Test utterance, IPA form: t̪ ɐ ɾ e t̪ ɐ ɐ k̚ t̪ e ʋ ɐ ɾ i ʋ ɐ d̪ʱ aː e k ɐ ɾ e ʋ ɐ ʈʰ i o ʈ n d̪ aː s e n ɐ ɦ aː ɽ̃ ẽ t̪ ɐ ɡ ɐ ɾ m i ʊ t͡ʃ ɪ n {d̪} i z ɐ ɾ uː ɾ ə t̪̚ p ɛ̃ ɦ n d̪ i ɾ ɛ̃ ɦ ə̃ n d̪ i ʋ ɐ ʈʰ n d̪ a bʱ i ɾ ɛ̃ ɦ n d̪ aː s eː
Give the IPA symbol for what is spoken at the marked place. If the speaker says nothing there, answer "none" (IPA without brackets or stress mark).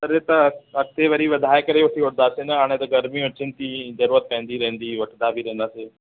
t̪